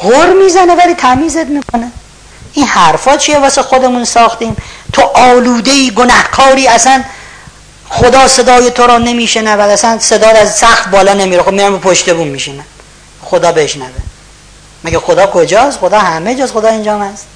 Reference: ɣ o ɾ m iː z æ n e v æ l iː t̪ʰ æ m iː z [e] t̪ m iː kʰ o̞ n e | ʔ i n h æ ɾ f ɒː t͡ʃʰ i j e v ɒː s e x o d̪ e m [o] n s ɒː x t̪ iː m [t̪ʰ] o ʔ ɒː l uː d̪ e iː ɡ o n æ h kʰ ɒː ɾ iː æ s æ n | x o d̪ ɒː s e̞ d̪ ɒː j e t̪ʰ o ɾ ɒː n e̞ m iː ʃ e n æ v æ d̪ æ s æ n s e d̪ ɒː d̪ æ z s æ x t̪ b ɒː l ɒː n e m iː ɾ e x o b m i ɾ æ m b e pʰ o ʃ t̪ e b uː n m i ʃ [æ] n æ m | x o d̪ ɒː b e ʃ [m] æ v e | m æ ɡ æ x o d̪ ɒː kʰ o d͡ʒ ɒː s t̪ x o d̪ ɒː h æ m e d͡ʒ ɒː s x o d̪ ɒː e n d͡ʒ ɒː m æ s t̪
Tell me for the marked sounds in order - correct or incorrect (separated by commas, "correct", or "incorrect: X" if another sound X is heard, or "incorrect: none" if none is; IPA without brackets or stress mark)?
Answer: correct, incorrect: u, correct, incorrect: i, incorrect: n